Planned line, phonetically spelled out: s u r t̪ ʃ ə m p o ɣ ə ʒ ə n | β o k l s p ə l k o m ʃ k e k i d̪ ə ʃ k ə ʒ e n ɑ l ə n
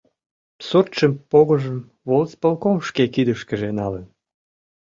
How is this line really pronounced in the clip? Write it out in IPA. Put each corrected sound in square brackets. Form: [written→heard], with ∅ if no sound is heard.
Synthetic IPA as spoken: s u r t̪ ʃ ə m p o ɣ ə ʒ ə [n→m] | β o [k→∅] l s p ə l k o m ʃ k e k i d̪ ə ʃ k ə ʒ e n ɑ l ə n